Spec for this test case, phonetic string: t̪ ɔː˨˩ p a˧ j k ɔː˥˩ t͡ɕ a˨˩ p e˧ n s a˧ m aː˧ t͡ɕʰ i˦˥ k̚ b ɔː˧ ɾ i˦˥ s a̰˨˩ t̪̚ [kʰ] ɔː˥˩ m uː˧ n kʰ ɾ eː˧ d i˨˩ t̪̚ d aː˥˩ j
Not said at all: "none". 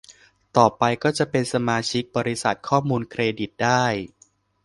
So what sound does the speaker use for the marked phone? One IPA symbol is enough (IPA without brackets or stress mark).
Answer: kʰ